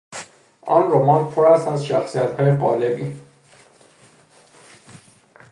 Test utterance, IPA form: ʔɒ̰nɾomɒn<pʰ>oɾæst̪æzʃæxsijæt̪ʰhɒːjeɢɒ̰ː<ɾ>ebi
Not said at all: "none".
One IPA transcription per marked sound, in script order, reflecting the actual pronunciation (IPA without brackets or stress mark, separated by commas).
pʰ, l